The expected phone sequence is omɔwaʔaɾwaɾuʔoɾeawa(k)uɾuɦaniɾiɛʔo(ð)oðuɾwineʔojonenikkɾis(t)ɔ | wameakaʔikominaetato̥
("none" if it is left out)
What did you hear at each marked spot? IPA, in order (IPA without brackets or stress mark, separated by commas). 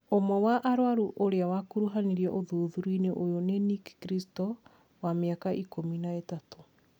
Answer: k, ð, t